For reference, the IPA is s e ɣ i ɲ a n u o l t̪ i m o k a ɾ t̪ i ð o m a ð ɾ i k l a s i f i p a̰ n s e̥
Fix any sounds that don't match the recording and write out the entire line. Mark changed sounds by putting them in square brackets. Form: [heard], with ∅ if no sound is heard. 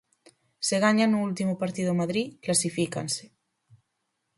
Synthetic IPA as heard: s e ɣ [a] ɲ a n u [u] l t̪ i m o [p] a ɾ t̪ i ð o m a ð ɾ i k l a s i f i [k] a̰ n s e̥